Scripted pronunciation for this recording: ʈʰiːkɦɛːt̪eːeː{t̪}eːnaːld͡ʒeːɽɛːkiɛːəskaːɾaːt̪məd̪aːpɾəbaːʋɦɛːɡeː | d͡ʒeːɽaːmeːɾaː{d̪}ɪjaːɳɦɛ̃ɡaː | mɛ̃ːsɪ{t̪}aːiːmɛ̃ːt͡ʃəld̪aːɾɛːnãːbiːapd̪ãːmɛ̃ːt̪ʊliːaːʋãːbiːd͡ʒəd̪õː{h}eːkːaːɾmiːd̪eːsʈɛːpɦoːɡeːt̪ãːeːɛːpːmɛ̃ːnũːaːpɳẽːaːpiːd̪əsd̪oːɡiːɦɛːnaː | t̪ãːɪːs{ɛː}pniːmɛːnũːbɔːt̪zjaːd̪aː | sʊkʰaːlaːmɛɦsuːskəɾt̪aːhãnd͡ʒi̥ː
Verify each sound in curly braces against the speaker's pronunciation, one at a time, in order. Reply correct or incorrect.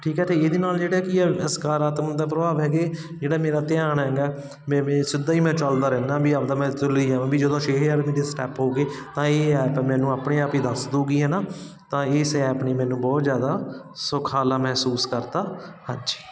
incorrect, incorrect, incorrect, incorrect, correct

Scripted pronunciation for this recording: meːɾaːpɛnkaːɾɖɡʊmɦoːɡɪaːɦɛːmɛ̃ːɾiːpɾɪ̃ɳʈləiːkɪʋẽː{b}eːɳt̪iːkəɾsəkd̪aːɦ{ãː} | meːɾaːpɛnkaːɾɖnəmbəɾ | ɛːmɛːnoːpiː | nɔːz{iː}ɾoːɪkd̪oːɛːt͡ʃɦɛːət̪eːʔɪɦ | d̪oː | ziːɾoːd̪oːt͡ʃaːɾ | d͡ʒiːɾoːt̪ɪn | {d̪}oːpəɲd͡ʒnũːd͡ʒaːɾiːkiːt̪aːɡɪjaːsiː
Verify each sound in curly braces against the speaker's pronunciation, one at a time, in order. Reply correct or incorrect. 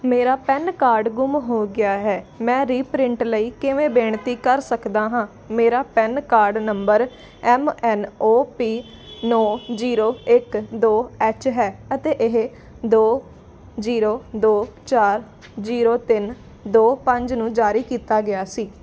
correct, correct, correct, correct

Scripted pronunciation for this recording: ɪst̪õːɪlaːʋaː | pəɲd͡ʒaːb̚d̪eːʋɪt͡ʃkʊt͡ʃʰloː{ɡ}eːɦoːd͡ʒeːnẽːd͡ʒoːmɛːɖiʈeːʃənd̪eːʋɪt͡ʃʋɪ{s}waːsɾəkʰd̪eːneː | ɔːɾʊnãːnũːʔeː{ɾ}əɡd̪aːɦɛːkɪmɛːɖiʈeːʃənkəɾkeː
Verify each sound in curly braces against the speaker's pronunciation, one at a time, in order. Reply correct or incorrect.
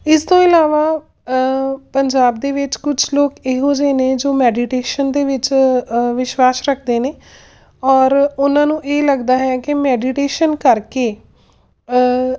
incorrect, incorrect, incorrect

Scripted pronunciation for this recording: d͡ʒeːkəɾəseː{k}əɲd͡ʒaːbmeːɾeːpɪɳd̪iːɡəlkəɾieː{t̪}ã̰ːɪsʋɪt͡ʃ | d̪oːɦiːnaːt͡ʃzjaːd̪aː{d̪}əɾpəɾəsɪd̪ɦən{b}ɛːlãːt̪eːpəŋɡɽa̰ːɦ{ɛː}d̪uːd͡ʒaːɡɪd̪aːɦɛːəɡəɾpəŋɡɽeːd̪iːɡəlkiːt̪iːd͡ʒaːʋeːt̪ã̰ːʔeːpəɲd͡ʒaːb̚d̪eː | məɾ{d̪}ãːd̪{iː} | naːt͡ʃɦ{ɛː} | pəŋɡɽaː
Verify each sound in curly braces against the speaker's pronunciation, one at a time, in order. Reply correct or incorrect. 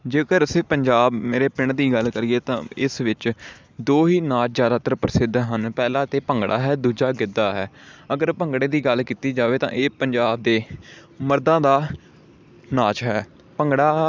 incorrect, correct, incorrect, incorrect, correct, correct, incorrect, correct

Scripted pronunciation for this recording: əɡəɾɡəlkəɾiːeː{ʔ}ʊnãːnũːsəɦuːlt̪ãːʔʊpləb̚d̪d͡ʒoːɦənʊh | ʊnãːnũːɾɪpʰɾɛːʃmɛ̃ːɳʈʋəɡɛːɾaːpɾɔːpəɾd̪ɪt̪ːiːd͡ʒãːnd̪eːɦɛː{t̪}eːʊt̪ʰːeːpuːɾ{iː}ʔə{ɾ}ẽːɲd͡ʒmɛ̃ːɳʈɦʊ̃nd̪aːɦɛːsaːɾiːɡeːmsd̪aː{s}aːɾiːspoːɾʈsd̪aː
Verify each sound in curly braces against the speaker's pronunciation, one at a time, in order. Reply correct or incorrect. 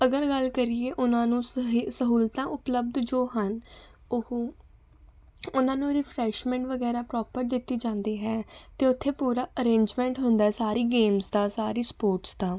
correct, correct, incorrect, correct, correct

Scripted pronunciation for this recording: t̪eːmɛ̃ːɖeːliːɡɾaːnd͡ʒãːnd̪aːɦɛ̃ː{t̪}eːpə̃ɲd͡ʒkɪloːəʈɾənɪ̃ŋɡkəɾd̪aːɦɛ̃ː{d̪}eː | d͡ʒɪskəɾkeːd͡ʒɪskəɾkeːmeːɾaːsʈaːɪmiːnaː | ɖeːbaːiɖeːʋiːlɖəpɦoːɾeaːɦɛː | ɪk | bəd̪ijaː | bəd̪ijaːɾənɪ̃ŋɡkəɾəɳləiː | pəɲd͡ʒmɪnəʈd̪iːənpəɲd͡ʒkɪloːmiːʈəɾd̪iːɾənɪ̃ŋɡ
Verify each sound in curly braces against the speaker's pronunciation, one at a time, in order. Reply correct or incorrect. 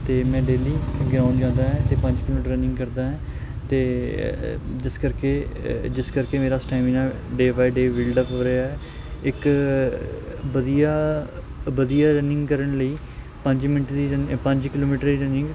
correct, incorrect

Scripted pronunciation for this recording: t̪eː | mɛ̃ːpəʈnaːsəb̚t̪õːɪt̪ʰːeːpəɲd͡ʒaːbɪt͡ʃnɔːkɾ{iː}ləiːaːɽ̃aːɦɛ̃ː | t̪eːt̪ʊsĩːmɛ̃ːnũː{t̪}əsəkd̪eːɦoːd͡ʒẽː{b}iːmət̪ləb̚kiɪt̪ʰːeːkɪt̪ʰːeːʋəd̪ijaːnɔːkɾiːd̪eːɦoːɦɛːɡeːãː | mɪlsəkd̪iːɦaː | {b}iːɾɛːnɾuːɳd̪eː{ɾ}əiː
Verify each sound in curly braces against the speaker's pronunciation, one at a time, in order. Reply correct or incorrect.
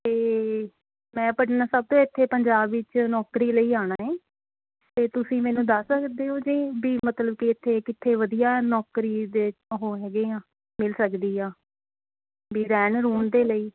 correct, incorrect, correct, correct, incorrect

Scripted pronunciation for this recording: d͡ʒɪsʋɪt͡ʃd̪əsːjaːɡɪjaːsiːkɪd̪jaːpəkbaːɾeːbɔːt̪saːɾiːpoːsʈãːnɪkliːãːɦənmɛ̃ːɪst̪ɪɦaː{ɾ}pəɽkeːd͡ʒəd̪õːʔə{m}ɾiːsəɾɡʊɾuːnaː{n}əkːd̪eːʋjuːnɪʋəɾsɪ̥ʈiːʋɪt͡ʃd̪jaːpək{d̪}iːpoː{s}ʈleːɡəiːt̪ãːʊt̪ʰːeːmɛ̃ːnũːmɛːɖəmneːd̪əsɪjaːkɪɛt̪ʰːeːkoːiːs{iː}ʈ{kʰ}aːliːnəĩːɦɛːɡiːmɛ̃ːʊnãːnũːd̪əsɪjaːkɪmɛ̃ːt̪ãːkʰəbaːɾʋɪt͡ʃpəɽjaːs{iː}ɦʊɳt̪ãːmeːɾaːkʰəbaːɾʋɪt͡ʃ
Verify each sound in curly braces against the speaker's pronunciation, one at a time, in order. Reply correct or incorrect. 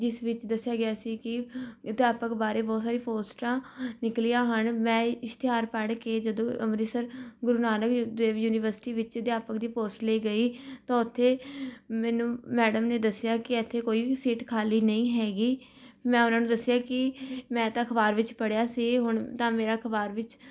correct, correct, correct, correct, correct, correct, correct, correct

